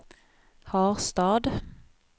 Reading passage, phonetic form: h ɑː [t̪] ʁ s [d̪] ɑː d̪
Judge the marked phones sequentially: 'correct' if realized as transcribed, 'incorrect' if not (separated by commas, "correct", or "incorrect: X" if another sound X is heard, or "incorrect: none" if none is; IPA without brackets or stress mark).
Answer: incorrect: none, incorrect: t̪